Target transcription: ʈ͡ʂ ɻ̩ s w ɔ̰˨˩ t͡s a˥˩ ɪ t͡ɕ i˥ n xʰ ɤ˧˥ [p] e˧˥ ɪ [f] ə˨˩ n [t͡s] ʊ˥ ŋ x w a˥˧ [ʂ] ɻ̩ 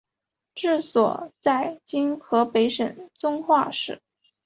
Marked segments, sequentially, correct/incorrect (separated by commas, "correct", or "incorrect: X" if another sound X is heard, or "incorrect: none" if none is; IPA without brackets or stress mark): correct, incorrect: ʂ, correct, correct